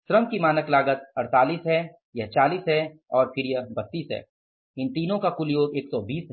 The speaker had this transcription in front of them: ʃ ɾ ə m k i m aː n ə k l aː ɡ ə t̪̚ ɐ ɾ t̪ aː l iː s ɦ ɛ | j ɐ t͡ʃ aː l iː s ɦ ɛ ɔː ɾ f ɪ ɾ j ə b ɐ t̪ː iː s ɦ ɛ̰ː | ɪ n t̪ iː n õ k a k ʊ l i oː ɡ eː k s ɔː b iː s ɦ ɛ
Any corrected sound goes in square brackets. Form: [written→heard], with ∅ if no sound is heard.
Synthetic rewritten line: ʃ ɾ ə m k i m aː n ə k l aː ɡ ə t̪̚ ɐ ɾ t̪ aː l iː s ɦ ɛ | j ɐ t͡ʃ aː l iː s ɦ ɛ ɔː ɾ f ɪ ɾ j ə b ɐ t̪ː iː s ɦ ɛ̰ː | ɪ n t̪ iː n õ k a k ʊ l [i→j] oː ɡ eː k s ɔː b iː s ɦ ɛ